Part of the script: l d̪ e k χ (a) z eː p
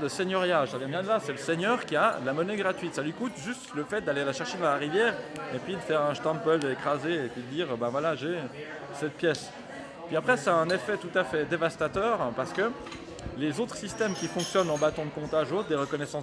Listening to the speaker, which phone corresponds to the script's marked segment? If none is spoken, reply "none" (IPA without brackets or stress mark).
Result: a